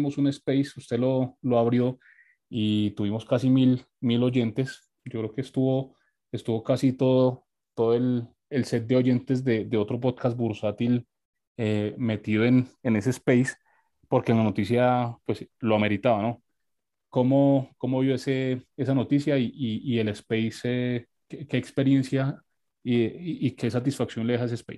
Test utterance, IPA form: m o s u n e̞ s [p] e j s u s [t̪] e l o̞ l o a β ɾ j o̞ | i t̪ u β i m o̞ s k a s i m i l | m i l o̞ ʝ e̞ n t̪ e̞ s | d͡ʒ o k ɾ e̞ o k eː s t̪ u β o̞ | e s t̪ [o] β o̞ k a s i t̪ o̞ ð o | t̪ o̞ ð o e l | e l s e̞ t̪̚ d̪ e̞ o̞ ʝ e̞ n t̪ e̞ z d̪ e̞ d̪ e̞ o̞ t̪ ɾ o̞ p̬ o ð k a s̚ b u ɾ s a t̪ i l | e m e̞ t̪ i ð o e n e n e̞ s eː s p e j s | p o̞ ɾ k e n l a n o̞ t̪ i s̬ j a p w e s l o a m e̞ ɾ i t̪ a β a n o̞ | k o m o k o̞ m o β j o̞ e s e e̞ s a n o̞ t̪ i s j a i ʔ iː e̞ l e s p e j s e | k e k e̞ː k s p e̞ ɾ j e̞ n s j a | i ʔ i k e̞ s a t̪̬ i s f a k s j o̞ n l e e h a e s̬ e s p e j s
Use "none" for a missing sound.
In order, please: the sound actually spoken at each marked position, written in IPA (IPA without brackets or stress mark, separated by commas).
p, t̪, u